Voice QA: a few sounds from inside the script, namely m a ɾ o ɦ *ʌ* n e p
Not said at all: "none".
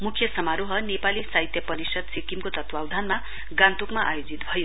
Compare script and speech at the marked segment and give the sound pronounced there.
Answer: ʌ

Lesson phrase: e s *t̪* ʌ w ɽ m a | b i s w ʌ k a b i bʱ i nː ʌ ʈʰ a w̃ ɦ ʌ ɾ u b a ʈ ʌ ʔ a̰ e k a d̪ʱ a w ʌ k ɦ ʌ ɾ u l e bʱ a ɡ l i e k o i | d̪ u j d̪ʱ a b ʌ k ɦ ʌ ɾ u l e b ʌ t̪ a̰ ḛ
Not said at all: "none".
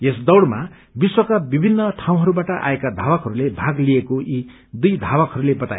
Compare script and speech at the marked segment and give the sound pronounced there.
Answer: d̪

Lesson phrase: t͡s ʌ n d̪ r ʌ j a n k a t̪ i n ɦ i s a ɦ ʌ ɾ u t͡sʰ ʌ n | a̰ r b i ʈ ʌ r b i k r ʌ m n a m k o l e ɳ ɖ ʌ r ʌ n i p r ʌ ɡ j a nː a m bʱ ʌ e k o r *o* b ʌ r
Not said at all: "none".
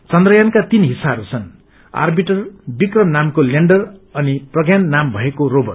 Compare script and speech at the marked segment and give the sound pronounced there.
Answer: o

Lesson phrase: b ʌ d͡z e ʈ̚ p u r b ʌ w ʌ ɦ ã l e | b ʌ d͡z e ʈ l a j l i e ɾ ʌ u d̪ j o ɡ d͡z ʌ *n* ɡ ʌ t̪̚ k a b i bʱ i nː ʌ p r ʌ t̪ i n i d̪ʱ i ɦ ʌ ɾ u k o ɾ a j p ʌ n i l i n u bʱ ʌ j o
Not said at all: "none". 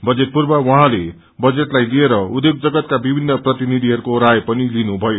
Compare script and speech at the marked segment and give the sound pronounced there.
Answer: none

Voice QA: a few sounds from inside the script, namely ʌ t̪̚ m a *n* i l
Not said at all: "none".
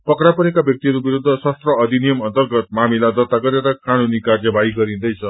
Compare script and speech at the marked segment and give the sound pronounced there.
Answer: m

